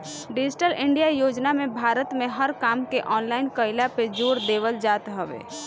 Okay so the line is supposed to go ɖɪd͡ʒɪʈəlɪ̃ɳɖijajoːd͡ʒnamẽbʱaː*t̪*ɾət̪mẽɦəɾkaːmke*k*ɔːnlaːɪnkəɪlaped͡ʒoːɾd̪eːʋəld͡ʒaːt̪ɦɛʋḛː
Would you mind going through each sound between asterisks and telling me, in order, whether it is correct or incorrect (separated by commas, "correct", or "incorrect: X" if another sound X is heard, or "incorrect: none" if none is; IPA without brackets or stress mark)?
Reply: incorrect: none, incorrect: ʔ